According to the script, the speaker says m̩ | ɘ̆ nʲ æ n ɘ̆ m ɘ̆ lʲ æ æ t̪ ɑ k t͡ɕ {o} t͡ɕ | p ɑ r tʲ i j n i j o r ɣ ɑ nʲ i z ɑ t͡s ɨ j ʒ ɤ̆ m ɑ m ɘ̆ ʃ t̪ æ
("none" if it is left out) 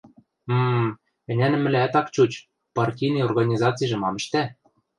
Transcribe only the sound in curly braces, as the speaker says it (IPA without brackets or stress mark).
u